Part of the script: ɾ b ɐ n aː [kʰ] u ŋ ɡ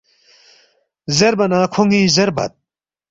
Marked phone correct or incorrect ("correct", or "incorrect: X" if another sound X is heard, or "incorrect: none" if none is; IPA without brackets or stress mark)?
correct